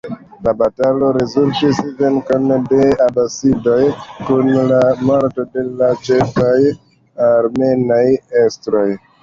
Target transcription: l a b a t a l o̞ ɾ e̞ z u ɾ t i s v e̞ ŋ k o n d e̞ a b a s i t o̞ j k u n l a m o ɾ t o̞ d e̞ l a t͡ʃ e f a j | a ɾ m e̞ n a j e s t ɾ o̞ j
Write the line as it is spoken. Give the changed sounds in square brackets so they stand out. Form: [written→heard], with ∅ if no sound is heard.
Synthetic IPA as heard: l a b a t a l o̞ ɾ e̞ z u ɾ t i s v e̞ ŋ k o n d e̞ a b a s i [t→d] o̞ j k u n l a m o ɾ t o̞ d e̞ l a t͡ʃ e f a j | a ɾ m e̞ n a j e s t ɾ o̞ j